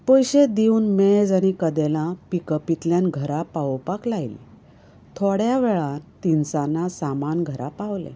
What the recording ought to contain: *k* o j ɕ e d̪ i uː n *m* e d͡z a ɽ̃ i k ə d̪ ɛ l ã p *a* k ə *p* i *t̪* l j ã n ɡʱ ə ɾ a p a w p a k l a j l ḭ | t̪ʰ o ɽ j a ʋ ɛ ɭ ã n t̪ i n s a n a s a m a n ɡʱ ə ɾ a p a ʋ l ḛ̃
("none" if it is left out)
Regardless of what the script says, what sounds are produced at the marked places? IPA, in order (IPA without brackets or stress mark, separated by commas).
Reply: p, m, i, p, t̪